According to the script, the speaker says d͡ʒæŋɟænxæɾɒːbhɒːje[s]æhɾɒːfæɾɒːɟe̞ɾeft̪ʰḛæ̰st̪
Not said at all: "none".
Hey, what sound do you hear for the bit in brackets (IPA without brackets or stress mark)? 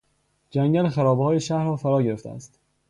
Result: ʃ